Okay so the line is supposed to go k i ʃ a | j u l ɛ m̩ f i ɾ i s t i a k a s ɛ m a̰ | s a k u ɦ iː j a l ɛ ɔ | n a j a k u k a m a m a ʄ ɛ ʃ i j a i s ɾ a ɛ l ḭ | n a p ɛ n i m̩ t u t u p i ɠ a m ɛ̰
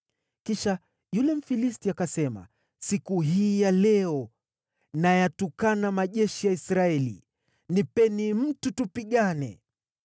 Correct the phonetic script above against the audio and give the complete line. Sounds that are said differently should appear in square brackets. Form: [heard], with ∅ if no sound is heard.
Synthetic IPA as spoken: k i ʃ a | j u l ɛ m̩ f i [l] i s t i a k a s ɛ m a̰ | s [i] k u ɦ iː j a l ɛ ɔ | n a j a [t] u k a [n] a m a ʄ ɛ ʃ i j a i s ɾ a ɛ l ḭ | n [i] p ɛ n i m̩ t u t u p i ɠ a [n] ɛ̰